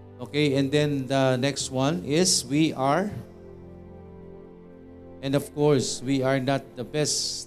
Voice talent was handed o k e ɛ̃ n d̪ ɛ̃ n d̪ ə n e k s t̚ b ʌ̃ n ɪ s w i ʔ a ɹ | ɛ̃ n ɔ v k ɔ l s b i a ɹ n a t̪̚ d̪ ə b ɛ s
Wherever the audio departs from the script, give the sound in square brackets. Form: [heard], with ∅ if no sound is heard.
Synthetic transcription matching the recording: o k e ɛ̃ n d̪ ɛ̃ n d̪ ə n [ɛ] k s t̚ [w] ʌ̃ n ɪ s w i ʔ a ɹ | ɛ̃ n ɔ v k ɔ [ɹ] s [w] i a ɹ n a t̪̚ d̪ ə b ɛ s